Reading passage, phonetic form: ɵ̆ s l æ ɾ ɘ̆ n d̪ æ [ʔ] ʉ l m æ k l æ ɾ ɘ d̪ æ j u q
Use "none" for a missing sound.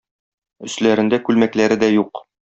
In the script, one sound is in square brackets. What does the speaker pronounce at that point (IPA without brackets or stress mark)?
k